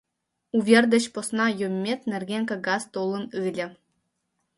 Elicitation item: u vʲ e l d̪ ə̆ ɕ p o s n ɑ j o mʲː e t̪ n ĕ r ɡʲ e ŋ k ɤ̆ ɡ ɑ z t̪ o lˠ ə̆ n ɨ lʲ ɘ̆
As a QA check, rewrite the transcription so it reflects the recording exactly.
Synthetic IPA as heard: u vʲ e r d̪ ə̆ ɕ p o s n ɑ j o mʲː e t̪ n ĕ r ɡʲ e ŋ k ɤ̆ ɡ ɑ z t̪ o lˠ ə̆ n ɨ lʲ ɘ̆